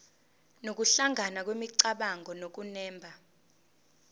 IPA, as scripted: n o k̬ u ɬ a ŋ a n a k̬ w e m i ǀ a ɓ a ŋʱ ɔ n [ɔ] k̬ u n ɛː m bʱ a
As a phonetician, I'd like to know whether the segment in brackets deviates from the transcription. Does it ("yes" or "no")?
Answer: yes